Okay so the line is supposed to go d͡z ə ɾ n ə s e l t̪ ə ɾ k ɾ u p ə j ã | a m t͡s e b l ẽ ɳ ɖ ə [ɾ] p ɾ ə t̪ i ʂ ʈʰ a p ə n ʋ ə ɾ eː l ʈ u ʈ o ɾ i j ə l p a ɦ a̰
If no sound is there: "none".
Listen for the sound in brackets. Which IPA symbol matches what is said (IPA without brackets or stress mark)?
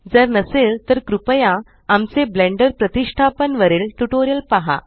ɾ